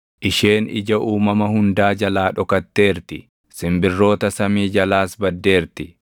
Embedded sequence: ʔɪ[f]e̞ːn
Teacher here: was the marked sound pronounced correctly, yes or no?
no